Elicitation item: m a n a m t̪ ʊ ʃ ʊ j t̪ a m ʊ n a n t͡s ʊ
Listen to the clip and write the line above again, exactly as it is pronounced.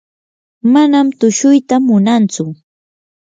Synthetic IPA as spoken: m a n a m t̪ ʊ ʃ ʊ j t̪ a m ʊ n a n t͡s ʊ